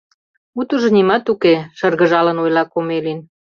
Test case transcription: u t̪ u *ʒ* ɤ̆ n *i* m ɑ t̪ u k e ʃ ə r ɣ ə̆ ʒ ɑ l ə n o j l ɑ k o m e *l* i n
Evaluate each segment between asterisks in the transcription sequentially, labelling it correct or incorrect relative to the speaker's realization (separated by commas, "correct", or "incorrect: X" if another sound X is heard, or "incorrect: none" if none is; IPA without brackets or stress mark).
correct, correct, correct